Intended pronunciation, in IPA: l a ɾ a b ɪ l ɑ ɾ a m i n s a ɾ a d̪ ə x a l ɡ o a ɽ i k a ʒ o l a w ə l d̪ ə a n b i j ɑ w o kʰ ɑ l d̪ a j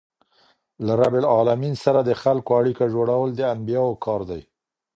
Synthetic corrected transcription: l a ɾ a b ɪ l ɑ l a m i n s a ɾ a d̪ ə x a l k o a ɽ i k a ʒ o ɽ a w ə l d̪ ə a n b i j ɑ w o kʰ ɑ ɾ d̪ a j